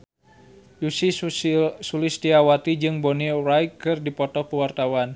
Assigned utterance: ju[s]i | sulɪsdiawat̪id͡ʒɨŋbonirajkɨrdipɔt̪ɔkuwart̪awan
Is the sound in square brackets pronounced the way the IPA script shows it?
yes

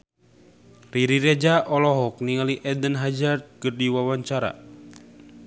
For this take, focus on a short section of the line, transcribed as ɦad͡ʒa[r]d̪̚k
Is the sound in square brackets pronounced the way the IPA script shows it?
yes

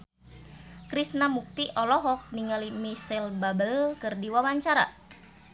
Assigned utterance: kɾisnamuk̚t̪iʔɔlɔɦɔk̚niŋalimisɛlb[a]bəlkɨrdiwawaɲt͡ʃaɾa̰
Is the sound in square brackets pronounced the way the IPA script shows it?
yes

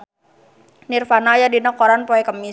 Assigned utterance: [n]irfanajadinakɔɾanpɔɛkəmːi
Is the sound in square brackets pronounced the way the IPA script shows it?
yes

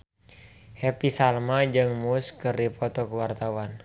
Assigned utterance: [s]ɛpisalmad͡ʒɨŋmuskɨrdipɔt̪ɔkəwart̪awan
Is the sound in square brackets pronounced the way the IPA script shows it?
no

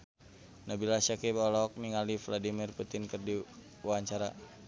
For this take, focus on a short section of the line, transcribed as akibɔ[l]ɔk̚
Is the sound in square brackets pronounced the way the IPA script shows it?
yes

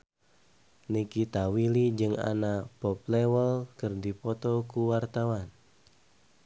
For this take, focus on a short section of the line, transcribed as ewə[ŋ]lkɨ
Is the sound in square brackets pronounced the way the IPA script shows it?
no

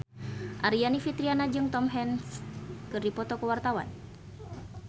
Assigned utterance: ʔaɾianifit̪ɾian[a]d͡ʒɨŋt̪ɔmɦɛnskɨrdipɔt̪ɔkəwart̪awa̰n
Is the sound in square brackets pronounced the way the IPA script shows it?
yes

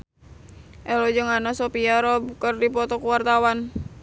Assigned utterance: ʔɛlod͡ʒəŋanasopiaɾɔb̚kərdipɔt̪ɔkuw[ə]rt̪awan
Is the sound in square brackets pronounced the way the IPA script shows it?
no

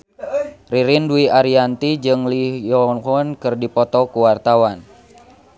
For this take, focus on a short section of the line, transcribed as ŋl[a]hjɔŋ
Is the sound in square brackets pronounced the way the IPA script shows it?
no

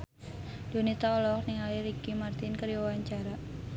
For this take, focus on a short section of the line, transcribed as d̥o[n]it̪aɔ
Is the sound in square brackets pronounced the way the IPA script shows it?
yes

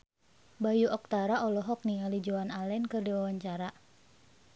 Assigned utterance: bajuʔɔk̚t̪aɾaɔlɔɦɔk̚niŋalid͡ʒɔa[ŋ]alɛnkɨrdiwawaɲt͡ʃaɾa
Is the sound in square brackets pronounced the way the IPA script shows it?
no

